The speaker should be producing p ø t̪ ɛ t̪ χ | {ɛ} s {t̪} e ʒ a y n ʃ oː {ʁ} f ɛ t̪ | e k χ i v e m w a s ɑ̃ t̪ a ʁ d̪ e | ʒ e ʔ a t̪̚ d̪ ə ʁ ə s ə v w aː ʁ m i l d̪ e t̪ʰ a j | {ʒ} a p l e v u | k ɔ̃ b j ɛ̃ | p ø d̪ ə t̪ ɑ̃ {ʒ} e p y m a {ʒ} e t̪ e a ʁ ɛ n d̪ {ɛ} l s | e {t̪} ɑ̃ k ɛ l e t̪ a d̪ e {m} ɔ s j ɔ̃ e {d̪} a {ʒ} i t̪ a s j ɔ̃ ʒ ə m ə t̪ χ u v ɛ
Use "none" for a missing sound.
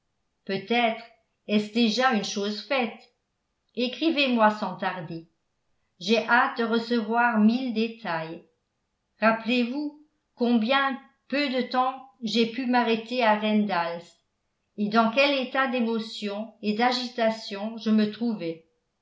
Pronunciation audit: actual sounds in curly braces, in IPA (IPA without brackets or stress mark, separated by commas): ɛ, d̪, z, ʁ, ʒ, ʁ, a, d̪, m, d̪, ʒ